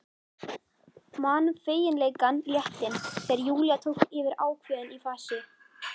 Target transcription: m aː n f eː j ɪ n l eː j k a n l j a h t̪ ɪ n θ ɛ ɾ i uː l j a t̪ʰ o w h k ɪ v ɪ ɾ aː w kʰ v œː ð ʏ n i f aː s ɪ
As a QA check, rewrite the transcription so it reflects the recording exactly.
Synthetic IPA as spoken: m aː n f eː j ɪ n l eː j k a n l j ɛ h t̪ ɪ n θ ɛ ɾ j uː l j a t̪ʰ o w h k ɪ v ɪ ɾ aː w kʰ v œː ð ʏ n i f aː s ɪ